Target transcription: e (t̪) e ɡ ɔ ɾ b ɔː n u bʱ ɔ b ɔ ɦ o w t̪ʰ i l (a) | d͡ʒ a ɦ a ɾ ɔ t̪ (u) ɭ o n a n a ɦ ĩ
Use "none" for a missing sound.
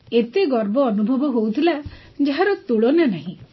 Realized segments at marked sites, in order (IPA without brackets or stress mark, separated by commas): t̪, a, u